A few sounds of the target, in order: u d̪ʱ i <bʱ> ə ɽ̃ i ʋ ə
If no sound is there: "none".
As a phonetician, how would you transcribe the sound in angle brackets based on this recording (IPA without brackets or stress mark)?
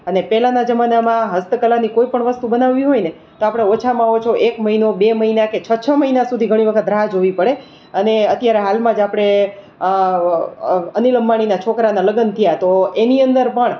ɡʱ